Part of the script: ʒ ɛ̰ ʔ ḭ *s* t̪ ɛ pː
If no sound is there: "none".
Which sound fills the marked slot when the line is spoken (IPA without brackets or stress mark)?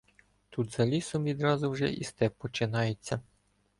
s